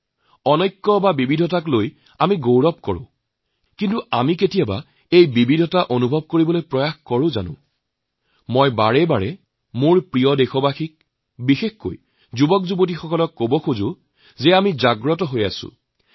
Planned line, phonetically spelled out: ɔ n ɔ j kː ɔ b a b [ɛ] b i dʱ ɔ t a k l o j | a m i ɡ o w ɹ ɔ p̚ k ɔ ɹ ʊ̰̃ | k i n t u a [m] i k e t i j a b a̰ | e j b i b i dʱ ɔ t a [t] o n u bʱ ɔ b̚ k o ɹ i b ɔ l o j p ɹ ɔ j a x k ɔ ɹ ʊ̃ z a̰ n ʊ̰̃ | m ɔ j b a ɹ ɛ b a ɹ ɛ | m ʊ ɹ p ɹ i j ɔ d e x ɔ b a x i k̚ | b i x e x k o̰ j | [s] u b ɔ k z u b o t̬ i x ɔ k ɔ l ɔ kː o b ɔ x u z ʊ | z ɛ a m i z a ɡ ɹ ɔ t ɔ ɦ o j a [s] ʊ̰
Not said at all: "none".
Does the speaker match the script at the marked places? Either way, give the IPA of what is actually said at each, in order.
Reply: i, m, ʔ, z, s

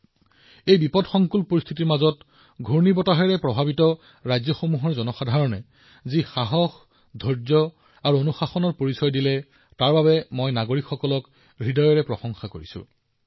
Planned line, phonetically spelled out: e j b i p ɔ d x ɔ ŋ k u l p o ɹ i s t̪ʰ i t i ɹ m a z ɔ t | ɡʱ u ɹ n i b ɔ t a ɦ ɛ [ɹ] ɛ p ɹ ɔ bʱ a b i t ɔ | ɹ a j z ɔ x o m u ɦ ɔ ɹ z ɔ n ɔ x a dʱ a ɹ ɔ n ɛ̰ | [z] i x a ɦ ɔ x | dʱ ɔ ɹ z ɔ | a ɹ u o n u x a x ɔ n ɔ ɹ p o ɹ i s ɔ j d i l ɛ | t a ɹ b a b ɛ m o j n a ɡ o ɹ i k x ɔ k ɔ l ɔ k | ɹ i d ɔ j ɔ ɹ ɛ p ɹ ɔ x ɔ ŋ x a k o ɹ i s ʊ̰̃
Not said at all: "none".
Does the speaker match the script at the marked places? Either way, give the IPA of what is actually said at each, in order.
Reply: ɹ, z

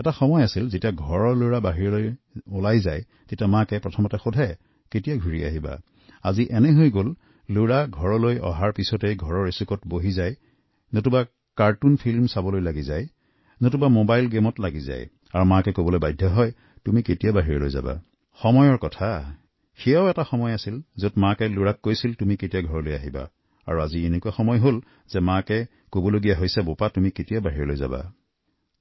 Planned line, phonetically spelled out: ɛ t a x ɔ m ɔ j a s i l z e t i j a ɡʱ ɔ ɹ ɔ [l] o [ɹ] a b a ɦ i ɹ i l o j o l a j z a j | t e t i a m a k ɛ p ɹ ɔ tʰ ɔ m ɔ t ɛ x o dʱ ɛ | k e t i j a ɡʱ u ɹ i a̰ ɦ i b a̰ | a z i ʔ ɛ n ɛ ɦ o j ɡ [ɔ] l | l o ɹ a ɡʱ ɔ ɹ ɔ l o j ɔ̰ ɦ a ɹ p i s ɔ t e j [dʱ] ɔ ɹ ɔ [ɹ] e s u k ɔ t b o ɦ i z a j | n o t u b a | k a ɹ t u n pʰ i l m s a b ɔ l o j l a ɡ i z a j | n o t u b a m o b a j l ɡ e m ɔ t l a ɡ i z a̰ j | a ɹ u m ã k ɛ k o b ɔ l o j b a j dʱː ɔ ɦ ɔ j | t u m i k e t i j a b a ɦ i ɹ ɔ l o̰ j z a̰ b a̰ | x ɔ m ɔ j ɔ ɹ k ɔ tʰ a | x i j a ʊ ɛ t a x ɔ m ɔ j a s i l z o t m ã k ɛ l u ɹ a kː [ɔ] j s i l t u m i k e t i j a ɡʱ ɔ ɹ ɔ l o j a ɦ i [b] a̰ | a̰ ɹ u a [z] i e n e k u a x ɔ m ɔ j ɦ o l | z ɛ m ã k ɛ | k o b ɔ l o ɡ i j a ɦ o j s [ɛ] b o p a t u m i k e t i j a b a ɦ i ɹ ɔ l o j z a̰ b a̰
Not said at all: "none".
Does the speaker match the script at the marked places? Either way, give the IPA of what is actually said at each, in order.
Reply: l, ɹ, o, ɡʱ, ɹ, o, b, z, ɛ

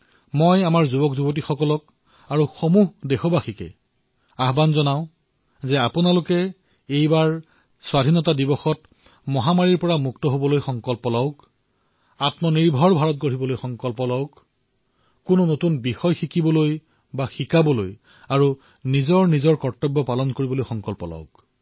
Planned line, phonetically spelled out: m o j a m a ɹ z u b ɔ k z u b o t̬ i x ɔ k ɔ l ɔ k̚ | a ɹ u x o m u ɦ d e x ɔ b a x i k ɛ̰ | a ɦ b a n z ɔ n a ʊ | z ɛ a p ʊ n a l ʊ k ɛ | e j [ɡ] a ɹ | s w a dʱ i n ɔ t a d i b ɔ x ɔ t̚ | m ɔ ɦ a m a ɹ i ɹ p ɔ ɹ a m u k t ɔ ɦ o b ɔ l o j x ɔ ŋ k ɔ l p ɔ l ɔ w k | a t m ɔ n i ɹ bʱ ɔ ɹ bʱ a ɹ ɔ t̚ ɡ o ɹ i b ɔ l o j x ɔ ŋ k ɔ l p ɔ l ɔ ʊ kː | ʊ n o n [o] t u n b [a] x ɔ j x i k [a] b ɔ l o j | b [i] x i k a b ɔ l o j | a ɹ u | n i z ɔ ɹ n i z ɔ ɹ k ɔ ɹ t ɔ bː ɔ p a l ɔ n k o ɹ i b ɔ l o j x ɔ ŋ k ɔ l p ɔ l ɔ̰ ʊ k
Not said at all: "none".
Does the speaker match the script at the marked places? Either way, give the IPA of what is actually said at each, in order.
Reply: b, o, i, i, a

